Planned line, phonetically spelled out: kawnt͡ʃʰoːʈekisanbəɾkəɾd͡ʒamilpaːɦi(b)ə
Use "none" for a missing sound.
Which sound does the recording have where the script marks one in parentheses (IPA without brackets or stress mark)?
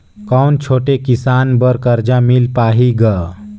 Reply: ɡ